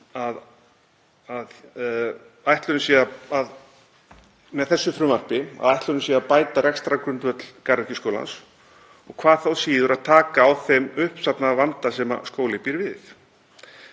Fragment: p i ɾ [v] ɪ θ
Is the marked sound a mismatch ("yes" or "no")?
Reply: no